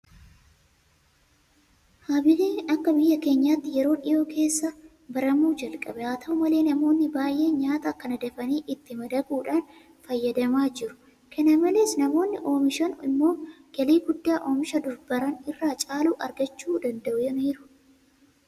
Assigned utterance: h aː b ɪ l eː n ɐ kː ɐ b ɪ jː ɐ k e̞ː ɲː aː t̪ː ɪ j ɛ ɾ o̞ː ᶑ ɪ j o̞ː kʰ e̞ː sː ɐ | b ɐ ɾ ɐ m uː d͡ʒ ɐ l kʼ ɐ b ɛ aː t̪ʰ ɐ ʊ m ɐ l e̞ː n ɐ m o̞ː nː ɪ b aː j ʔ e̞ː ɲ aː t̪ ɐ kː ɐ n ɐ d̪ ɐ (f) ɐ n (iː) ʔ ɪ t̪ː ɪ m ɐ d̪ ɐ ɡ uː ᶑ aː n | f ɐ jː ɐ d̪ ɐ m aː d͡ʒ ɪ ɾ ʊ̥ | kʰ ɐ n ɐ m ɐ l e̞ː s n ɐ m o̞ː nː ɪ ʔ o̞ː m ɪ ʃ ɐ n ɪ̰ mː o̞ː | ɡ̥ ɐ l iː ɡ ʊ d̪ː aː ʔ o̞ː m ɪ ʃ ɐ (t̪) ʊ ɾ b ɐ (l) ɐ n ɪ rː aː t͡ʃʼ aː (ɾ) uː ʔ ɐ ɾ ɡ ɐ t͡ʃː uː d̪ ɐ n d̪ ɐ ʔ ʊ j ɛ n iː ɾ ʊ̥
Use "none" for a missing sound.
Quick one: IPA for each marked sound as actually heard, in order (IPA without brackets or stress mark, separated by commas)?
f, iː, d̪, ɾ, l